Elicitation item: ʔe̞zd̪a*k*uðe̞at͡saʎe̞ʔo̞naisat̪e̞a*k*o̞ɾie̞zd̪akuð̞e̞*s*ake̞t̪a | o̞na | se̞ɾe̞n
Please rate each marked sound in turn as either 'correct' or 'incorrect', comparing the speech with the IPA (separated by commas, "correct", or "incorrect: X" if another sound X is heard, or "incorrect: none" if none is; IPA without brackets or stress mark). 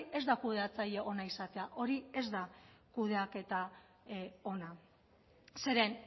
correct, incorrect: ʔ, incorrect: none